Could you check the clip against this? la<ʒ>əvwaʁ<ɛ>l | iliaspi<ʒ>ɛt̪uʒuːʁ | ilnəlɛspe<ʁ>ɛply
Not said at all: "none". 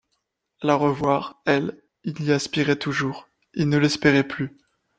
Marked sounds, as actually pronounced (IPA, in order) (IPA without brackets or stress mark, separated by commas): ʁ, ɛ, ʁ, ʁ